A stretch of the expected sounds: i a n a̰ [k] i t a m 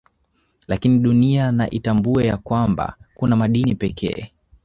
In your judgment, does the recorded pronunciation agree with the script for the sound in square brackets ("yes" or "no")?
no